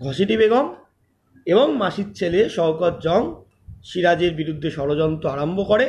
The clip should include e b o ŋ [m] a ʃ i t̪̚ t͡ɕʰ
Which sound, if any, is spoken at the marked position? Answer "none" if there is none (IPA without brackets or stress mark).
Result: m